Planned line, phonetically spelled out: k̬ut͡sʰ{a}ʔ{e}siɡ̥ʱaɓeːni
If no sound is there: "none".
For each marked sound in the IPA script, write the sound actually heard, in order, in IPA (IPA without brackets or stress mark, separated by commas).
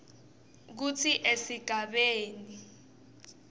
i, e